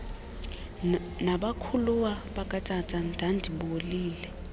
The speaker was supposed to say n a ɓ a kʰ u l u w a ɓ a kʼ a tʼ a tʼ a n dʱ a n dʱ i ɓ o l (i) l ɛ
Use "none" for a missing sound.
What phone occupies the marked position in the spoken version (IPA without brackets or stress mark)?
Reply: iː